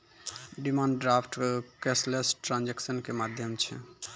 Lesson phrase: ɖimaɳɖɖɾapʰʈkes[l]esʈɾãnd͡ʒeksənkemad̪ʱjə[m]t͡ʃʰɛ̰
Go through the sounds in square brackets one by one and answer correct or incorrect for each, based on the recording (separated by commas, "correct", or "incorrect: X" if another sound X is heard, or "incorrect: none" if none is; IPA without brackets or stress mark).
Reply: correct, correct